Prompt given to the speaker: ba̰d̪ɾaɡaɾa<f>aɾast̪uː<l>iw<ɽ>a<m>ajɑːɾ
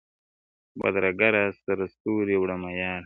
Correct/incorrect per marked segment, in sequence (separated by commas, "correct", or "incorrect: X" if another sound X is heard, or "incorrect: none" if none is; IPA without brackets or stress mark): incorrect: s, incorrect: ɾ, correct, correct